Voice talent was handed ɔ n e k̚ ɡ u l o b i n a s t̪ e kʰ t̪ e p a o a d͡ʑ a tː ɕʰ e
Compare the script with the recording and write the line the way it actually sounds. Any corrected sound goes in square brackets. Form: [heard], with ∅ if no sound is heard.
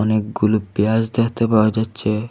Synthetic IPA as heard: ɔ n e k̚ ɡ u l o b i [∅] a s [d̪] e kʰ t̪ e p a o a d͡ʑ a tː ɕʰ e